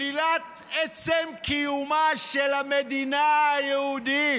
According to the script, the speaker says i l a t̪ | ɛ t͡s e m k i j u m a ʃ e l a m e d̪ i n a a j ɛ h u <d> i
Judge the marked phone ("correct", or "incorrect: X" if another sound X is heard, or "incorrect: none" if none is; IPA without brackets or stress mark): correct